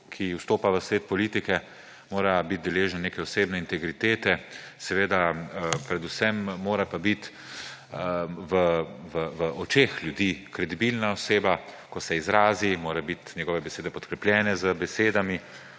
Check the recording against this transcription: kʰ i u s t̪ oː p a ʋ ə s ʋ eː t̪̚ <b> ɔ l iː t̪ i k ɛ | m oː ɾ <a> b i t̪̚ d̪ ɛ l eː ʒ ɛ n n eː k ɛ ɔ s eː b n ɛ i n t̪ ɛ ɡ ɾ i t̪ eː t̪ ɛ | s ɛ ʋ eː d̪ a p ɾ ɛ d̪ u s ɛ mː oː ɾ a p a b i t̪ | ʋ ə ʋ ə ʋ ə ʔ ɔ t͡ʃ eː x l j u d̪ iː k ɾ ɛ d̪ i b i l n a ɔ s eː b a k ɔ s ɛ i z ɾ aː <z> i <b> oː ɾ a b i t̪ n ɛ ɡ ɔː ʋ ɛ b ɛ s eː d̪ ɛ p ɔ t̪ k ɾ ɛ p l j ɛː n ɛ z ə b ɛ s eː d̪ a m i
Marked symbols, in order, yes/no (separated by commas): no, yes, yes, no